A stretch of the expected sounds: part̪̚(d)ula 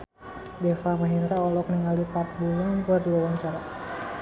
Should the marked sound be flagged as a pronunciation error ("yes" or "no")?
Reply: yes